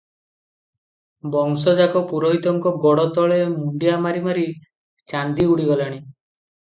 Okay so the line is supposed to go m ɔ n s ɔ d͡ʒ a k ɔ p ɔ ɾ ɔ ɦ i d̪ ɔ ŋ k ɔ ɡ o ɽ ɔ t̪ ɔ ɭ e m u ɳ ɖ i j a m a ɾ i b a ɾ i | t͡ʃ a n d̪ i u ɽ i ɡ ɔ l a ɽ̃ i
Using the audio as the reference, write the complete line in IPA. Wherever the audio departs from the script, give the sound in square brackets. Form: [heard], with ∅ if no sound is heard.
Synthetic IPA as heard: [b] ɔ [ŋ] s ɔ d͡ʒ a k ɔ p [u] ɾ ɔ ɦ i [t̪] ɔ ŋ k ɔ ɡ [ɔ] ɽ ɔ t̪ ɔ ɭ e m u ɳ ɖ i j a m a ɾ i [m] a ɾ i | t͡ʃ a n d̪ i u ɽ i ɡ ɔ l a ɽ̃ i